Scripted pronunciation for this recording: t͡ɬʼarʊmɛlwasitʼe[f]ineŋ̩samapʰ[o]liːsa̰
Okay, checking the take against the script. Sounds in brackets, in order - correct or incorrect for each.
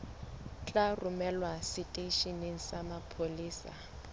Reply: incorrect, correct

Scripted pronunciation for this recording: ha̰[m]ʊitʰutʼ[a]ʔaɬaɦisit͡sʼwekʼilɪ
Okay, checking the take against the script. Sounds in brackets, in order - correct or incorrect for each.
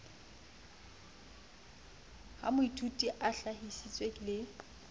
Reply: correct, incorrect

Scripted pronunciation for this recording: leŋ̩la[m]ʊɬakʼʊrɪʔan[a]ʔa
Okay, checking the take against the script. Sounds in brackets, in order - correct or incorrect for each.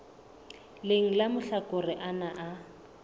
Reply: correct, correct

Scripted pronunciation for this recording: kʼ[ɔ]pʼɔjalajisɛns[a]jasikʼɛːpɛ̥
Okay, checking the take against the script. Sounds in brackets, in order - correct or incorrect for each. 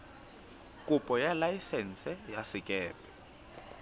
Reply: incorrect, incorrect

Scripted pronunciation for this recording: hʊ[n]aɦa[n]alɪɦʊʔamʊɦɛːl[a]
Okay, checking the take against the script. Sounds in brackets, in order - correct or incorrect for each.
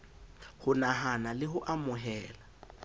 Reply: correct, correct, correct

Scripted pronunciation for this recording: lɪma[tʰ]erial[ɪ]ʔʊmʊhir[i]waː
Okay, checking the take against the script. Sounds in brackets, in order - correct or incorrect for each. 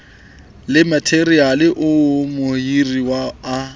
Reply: correct, correct, correct

